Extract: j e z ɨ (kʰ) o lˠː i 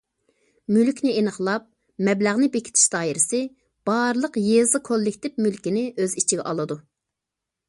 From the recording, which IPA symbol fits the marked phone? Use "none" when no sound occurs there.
kʰ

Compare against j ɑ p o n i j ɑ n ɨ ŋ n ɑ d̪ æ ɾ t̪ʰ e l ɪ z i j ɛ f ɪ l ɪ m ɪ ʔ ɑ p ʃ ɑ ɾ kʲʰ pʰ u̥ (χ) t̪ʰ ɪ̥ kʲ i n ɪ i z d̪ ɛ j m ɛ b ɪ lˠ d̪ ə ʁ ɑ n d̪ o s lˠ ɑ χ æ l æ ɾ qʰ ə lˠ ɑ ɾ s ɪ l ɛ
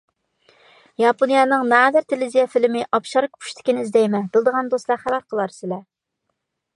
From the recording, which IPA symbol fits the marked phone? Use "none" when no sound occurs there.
ʃ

